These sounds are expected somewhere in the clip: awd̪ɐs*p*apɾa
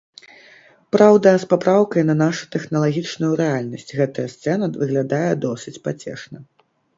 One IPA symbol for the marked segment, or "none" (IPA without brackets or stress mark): p